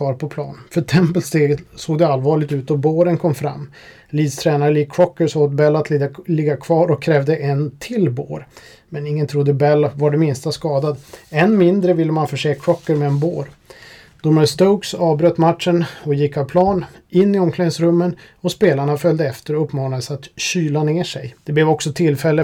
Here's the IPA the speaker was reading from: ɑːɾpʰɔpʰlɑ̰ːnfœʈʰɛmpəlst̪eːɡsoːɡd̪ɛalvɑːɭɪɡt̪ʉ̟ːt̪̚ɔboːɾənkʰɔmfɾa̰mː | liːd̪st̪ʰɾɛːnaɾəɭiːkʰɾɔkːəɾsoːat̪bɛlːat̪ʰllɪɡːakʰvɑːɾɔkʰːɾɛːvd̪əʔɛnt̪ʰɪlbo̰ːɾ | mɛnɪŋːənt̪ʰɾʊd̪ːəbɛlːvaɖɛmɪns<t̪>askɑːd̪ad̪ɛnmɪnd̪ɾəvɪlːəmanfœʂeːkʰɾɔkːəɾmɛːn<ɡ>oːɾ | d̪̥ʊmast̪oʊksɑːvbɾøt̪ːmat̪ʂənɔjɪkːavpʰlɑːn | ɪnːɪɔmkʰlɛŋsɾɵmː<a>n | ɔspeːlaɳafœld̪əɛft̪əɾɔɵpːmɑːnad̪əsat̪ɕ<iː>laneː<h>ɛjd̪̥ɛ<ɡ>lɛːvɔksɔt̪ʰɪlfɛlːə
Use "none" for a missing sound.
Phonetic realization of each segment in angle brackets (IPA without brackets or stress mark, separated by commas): t̪, b, ə, yː, ʂ, b